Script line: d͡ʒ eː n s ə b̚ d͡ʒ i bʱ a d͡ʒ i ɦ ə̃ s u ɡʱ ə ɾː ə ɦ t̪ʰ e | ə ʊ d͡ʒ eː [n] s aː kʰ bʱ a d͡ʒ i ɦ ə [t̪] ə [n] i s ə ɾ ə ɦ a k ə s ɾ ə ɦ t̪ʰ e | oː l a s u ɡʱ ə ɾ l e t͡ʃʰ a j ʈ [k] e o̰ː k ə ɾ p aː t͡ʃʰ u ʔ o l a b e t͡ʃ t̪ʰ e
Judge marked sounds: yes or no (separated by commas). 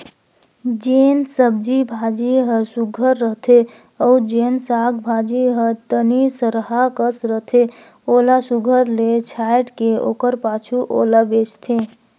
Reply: yes, yes, yes, yes